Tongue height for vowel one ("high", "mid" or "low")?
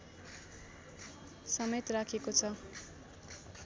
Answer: mid